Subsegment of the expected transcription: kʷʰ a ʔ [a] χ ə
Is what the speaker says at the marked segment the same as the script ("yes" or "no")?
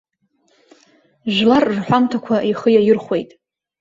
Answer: no